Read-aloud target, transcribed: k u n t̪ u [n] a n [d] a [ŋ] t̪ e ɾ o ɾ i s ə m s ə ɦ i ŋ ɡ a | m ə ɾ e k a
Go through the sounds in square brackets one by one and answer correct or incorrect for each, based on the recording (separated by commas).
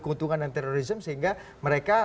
incorrect, correct, incorrect